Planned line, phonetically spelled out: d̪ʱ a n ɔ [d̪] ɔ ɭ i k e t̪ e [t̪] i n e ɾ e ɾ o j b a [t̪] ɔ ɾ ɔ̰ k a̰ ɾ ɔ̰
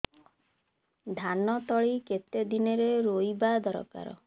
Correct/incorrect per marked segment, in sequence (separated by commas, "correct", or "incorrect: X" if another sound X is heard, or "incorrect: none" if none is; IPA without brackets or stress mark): incorrect: t̪, incorrect: d̪, incorrect: d̪